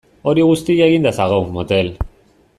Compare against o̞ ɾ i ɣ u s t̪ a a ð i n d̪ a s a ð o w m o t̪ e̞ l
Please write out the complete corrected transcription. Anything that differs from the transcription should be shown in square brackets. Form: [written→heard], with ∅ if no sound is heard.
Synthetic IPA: o̞ ɾ i ɣ u s t̪ [a→i] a [ð→ɣ] i n d̪ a s a [ð→ɣ] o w m o t̪ e̞ l